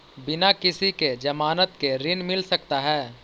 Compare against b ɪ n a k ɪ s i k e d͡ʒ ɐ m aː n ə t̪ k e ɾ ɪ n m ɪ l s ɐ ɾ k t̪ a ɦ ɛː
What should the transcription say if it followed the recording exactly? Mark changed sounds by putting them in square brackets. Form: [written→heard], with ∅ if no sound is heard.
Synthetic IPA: b ɪ n a k ɪ s i k e d͡ʒ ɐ m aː n ə t̪ k e ɾ ɪ n m ɪ l s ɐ [ɾ→∅] k t̪ a ɦ ɛː